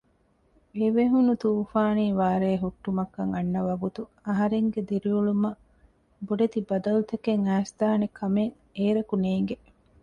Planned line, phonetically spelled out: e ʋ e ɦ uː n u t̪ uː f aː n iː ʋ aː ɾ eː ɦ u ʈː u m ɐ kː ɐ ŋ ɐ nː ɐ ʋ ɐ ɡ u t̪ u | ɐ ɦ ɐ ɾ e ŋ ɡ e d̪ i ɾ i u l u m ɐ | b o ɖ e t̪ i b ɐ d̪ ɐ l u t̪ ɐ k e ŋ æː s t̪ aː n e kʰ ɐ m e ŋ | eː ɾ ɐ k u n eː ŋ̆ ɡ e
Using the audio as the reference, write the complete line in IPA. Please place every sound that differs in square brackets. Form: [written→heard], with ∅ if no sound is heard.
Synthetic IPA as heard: e ʋ e ɦ [uː→u] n u t̪ uː f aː n iː ʋ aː ɾ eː ɦ u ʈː u m ɐ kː ɐ ŋ ɐ nː ɐ ʋ ɐ ɡ u t̪ u | ɐ ɦ ɐ ɾ e ŋ ɡ e d̪ i ɾ i u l u m ɐ | b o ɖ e t̪ i b ɐ d̪ ɐ l u t̪ ɐ k e ŋ æː s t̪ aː n e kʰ ɐ m e ŋ | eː ɾ ɐ k u n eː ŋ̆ ɡ e

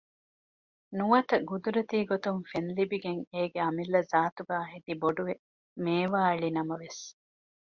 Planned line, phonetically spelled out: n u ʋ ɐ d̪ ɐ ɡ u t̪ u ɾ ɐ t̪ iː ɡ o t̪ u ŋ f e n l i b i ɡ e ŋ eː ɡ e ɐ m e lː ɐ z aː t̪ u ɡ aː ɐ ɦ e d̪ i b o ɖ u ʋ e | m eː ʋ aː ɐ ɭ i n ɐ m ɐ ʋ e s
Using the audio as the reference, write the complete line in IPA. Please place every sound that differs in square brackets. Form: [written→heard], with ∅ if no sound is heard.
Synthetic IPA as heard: n u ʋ ɐ [d̪→t̪] ɐ ɡ u [t̪→d̪] u ɾ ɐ t̪ iː ɡ o t̪ u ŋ f e n l i b i ɡ e ŋ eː ɡ e ɐ m [e→i] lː ɐ z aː t̪ u ɡ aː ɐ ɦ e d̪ i b o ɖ u ʋ e | m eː ʋ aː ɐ ɭ i n ɐ m ɐ ʋ e s

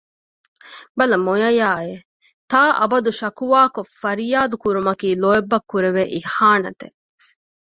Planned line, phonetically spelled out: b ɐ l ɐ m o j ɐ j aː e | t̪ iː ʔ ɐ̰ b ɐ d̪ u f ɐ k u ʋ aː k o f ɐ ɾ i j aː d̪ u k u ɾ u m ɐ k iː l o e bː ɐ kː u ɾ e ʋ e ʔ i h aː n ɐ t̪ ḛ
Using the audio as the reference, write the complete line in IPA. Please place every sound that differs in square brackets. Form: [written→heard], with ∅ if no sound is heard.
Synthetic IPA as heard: b ɐ l ɐ m o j ɐ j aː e | t̪ [iː→aː] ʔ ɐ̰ b ɐ d̪ u [f→ʃ] ɐ k u ʋ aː k o f ɐ ɾ i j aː d̪ u k u ɾ u m ɐ k iː l o e bː ɐ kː u ɾ e ʋ e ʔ i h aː n ɐ t̪ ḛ

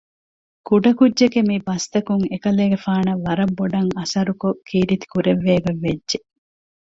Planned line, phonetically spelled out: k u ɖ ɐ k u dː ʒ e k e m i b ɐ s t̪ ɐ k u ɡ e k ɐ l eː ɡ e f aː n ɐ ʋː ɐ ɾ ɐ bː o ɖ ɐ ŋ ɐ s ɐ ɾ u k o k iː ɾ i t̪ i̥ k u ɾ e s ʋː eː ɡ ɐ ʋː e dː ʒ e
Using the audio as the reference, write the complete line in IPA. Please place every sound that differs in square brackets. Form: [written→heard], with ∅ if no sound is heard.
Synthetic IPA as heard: k u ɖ ɐ k u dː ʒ e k e m i b ɐ s t̪ ɐ k u [ɡ→ŋ] e k ɐ l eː ɡ e f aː n ɐ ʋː ɐ ɾ ɐ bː o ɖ ɐ ŋ ɐ s ɐ ɾ u k o k iː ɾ i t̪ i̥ k u ɾ e [s→∅] ʋː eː ɡ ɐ ʋː e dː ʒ e

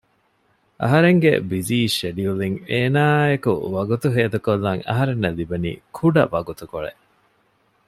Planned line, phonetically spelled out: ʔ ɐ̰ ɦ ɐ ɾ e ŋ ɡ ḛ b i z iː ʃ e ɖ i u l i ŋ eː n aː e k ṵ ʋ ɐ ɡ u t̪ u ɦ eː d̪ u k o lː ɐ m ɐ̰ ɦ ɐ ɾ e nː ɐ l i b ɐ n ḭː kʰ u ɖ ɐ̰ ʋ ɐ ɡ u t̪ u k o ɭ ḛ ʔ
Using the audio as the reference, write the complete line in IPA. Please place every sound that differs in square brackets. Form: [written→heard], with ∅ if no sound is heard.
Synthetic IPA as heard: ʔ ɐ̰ ɦ ɐ ɾ e ŋ ɡ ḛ b i z iː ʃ e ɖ i u l i ŋ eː n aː e k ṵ ʋ ɐ ɡ u t̪ u ɦ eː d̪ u k o lː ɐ [m→ŋ] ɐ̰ ɦ ɐ ɾ e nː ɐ l i b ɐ n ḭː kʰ u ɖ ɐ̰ ʋ ɐ ɡ u t̪ u k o ɭ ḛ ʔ

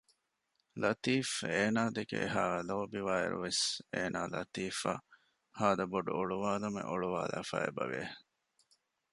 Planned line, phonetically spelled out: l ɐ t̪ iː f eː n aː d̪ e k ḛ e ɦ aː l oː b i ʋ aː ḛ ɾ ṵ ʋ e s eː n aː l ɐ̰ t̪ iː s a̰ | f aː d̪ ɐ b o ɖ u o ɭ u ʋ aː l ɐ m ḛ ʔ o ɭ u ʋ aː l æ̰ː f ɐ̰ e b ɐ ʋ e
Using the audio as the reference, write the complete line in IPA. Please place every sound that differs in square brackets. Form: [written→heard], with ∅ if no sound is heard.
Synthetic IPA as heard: l ɐ t̪ iː f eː n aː d̪ e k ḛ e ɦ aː l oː b i ʋ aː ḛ ɾ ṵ ʋ e s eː n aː l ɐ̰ t̪ iː [s→f] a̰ | [f→h] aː d̪ ɐ b o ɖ u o ɭ u ʋ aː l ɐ m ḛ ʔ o ɭ u ʋ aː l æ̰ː f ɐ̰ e b ɐ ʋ e

